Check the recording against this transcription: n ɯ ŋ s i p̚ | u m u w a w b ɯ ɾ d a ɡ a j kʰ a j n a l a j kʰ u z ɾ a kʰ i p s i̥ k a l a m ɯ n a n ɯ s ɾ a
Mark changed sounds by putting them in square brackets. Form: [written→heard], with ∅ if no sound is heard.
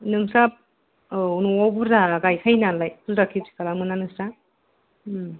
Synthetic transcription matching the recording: n ɯ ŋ s [i→a] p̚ | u [m→n] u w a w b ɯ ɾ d a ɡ a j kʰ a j n a l a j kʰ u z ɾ a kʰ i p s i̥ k a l a m ɯ n a n ɯ s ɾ a